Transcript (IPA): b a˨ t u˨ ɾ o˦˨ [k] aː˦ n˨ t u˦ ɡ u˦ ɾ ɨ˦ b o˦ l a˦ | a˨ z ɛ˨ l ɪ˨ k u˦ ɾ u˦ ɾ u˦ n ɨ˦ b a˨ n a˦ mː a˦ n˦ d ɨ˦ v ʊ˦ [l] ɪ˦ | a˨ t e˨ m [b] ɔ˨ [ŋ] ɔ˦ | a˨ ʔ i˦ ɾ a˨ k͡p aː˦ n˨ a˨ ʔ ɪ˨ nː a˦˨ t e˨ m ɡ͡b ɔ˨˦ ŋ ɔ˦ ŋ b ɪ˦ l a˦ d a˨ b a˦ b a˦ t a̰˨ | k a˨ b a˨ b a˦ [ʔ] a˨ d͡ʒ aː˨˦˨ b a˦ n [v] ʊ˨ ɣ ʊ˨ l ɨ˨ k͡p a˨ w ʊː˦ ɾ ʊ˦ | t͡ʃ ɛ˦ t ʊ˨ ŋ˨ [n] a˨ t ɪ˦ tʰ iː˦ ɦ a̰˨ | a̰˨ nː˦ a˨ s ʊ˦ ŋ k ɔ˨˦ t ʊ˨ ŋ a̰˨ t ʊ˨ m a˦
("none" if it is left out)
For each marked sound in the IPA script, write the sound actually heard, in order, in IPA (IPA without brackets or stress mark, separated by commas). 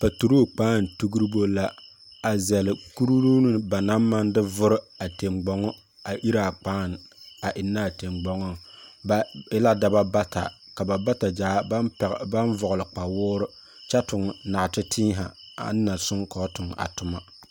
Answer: k͡p, ɾ, ɡ͡b, ŋ, t, v, n